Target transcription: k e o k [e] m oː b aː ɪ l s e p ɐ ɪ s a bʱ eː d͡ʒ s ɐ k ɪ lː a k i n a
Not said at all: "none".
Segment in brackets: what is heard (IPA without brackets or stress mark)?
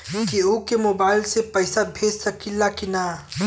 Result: e